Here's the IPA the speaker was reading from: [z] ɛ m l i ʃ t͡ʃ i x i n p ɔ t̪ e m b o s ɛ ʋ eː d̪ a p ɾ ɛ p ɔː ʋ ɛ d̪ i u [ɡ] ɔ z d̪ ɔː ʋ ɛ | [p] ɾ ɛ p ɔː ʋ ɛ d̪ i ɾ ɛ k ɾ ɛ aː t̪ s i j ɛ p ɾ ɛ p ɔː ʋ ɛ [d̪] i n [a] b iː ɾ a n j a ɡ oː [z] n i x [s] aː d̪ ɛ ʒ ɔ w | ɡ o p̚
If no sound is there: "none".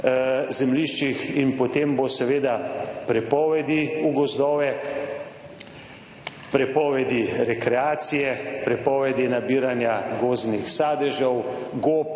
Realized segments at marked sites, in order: z, ɡ, p, d̪, a, z, s

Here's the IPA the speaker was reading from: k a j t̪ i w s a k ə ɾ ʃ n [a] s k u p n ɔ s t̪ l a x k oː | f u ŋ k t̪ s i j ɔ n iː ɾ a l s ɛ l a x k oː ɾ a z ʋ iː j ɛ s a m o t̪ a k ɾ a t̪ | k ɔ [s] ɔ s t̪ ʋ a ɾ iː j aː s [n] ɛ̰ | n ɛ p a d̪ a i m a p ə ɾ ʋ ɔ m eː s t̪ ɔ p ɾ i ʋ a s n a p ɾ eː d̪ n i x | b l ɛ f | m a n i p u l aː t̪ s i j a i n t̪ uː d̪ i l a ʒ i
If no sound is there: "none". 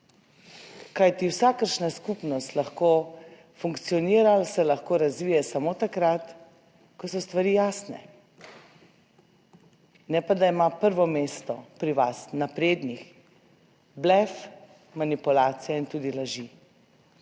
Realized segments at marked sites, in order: a, s, n

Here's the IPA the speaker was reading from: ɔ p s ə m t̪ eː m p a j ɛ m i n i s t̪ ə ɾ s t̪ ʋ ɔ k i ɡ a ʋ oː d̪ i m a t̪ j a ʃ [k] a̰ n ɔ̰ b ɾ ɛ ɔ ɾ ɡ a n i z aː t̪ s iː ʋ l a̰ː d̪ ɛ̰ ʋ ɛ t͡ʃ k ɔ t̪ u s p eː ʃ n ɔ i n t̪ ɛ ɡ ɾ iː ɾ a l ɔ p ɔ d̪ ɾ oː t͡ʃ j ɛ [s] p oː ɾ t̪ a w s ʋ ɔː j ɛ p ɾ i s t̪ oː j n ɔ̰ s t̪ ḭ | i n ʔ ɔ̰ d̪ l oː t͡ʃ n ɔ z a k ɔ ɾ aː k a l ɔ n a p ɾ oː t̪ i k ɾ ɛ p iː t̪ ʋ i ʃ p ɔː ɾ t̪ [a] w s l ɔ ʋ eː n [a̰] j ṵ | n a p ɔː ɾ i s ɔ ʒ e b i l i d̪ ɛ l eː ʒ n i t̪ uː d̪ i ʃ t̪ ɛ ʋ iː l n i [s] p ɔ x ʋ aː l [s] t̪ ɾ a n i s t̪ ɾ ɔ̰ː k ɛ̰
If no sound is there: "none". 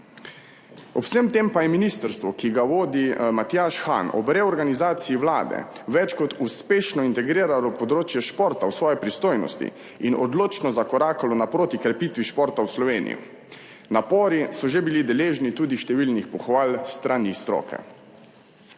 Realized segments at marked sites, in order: x, ʃ, a, ḭ, x, s

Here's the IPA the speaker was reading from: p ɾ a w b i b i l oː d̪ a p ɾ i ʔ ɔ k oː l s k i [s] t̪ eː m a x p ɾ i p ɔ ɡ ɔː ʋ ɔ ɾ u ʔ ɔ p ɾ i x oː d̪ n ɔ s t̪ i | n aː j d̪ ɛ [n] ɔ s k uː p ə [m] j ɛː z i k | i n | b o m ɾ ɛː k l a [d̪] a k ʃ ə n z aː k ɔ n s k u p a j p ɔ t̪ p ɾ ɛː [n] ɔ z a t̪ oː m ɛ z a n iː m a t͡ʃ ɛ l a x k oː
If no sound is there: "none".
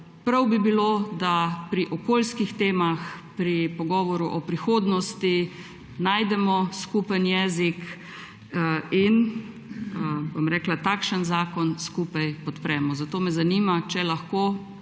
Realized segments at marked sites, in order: x, m, n, t̪, m

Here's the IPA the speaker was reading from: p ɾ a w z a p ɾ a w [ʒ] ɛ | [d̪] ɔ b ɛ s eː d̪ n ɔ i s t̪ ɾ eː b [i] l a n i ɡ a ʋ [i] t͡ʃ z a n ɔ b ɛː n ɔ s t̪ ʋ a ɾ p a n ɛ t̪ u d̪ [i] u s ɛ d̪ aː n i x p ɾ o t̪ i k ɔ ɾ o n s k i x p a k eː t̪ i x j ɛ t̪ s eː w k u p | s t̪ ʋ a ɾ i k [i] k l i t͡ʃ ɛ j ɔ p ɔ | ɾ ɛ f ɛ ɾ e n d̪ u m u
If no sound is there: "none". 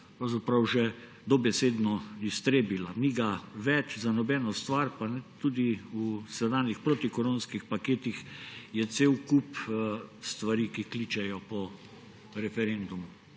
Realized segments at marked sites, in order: ʒ, d̪, i, ɛ, i, i

